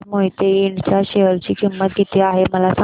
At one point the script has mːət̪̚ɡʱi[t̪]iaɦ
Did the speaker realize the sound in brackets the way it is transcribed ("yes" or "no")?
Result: yes